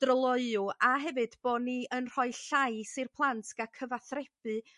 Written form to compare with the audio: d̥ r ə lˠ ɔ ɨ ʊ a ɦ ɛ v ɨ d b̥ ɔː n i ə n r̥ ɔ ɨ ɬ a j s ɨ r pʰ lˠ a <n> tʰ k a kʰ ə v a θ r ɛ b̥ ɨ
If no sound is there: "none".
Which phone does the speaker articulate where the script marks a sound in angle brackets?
n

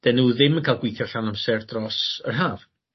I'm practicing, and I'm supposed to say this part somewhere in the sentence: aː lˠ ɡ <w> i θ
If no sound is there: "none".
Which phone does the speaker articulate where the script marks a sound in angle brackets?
w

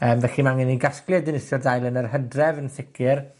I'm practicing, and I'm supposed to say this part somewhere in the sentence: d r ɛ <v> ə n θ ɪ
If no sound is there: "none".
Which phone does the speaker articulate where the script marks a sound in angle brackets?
v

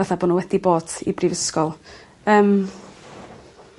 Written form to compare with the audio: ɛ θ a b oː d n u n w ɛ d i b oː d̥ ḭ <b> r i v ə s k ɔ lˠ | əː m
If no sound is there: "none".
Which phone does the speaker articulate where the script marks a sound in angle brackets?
b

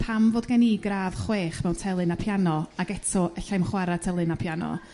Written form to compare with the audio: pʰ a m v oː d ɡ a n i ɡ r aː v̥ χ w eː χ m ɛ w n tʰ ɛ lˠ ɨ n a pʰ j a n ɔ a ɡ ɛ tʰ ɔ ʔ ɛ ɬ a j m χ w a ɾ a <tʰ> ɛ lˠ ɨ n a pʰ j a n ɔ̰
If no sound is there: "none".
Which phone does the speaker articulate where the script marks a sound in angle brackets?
tʰ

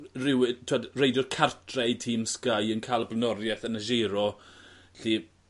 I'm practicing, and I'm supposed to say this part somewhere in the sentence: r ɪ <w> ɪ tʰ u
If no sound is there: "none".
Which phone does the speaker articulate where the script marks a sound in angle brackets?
w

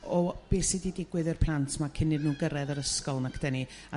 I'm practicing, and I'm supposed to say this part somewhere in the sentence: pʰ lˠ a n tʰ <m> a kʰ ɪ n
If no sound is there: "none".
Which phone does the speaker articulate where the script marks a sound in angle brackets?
m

